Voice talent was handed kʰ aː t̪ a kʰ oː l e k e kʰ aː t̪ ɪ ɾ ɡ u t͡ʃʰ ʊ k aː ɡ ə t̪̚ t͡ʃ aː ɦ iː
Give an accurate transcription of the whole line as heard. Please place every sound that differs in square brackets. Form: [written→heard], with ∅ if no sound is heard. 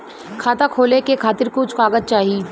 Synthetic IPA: kʰ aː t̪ a kʰ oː l e k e kʰ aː t̪ ɪ ɾ [ɡ→k] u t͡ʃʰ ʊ k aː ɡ ə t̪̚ t͡ʃ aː ɦ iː